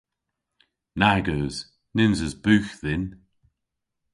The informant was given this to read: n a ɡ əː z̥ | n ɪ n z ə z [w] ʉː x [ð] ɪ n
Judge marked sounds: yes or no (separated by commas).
no, yes